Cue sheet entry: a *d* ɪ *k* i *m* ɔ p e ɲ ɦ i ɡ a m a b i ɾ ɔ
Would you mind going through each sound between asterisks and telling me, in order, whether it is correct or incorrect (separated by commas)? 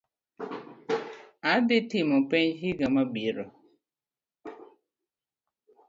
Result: correct, incorrect, correct